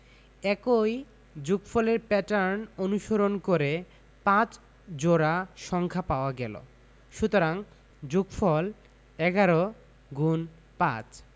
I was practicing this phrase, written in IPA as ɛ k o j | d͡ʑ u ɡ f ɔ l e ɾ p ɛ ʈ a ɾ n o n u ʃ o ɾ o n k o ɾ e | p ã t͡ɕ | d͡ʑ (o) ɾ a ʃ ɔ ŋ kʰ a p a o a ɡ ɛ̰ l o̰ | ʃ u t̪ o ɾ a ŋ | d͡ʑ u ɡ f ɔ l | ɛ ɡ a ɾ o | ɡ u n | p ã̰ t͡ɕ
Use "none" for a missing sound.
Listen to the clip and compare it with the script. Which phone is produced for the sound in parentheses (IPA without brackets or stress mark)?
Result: o